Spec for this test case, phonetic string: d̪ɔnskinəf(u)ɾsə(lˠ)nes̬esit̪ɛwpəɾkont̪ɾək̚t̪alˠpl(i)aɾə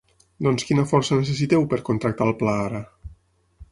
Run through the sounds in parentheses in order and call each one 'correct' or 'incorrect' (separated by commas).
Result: incorrect, incorrect, incorrect